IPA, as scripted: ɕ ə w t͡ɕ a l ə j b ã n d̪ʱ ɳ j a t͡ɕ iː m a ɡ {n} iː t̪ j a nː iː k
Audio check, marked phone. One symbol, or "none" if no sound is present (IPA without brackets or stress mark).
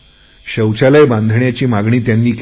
ɳ